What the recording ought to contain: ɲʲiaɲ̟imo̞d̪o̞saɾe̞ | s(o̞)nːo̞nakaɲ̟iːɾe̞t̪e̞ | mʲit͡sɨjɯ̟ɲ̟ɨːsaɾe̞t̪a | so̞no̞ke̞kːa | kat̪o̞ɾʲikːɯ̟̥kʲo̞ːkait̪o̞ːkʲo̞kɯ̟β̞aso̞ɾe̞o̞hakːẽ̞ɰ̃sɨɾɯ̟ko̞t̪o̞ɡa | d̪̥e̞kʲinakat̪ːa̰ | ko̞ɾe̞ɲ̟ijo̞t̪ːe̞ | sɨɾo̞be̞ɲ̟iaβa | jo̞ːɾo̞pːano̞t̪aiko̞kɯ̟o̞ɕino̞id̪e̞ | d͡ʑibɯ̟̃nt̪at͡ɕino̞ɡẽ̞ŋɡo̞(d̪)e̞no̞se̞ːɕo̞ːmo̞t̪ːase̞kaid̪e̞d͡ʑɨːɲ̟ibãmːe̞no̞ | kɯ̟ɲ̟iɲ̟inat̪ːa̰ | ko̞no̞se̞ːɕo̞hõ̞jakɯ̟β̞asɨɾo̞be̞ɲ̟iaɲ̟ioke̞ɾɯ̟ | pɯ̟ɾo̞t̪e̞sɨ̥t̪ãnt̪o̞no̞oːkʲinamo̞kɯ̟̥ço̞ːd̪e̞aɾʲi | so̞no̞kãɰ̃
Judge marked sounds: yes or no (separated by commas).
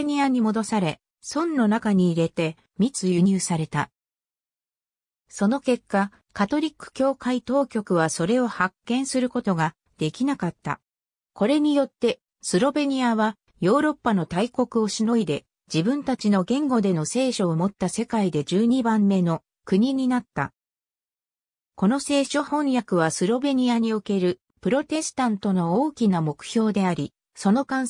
no, yes